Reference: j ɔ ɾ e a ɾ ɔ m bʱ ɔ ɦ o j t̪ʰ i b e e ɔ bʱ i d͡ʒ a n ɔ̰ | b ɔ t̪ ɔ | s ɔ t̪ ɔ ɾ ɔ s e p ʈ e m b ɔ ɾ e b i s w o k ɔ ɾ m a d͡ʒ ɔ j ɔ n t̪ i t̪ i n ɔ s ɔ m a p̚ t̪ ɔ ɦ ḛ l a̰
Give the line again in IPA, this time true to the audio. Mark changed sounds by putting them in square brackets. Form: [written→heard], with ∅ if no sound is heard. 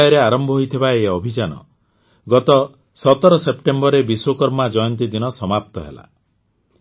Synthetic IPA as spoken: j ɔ ɾ e a ɾ ɔ m bʱ ɔ ɦ o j t̪ʰ i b [e→a] e ɔ bʱ i d͡ʒ a n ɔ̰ | [b→ɡ] ɔ t̪ ɔ | s ɔ t̪ ɔ ɾ ɔ s e p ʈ e m b ɔ ɾ e b i s w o k ɔ ɾ m a d͡ʒ ɔ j ɔ n t̪ i [t̪→d̪] i n ɔ s ɔ m a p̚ t̪ ɔ ɦ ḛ l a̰